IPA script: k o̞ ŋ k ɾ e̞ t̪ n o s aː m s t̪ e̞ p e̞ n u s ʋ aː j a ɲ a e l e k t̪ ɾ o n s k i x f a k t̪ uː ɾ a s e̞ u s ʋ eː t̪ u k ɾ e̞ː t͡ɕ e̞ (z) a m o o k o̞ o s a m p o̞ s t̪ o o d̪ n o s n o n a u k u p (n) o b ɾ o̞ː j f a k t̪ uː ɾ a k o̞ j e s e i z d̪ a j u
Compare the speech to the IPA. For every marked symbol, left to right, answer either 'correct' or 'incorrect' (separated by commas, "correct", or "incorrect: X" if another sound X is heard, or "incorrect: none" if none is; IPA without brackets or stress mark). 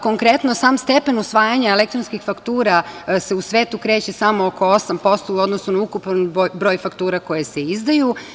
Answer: incorrect: s, correct